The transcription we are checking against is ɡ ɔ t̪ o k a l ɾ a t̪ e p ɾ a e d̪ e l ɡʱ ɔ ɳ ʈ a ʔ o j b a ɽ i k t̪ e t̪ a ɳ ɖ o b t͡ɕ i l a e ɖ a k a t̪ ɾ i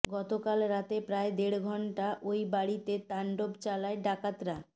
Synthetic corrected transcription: ɡ ɔ t̪ o k a l ɾ a t̪ e p ɾ a e d̪ e ɽ ɡʱ ɔ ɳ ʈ a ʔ o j b a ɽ i t̪ e t̪ a ɳ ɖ o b t͡ɕ a l a e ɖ a k a t̪ ɾ a